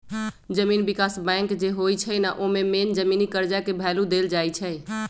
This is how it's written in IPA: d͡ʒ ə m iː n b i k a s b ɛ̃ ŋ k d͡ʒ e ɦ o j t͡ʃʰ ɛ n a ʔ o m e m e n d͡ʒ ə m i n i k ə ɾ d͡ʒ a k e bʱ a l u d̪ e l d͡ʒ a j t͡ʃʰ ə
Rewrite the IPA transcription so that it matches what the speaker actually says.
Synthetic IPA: d͡ʒ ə m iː n b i k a s b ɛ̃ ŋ k d͡ʒ e ɦ o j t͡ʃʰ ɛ n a ʔ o m e m e n d͡ʒ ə m i n i k ə ɾ d͡ʒ a k e bʱ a l u d̪ e l d͡ʒ a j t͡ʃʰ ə